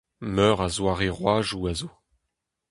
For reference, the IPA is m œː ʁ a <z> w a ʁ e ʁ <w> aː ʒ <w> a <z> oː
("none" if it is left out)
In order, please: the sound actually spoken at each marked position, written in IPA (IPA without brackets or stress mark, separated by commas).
z, w, u, z